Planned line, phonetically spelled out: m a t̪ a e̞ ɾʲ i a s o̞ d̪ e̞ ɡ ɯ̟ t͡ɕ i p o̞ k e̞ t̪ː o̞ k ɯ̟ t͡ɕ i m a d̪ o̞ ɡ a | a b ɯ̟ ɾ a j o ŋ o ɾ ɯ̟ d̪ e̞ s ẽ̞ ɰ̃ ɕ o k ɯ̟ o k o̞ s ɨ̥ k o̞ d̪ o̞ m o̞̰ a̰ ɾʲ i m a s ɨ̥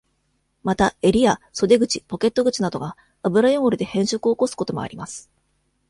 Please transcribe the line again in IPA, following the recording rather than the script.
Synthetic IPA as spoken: m a t̪ a e̞ ɾʲ i a s o̞ d̪ e̞ ɡ ɯ̟ t͡ɕ i p o̞ k e̞ t̪ː o̞ ɡ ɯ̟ t͡ɕ i n a d̪ o̞ ɡ a | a b ɯ̟ ɾ a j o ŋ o ɾ ɯ̟ d̪ e̞ h ẽ̞ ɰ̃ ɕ o k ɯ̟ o k o̞ s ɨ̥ k o̞ t̪ o̞ m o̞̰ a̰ ɾʲ i m a s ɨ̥